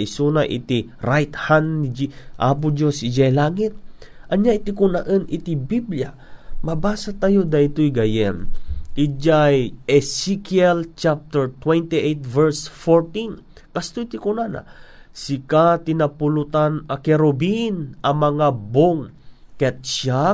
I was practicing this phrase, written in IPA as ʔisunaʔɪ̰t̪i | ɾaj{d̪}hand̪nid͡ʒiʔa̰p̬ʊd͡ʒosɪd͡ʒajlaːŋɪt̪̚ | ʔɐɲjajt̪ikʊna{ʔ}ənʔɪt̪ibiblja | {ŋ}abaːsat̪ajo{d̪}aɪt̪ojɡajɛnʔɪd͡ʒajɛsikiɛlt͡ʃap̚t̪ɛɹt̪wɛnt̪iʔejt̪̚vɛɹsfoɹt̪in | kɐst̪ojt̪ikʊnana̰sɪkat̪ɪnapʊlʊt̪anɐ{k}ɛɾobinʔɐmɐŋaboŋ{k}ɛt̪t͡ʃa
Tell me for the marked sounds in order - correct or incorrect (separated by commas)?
incorrect, correct, incorrect, correct, correct, correct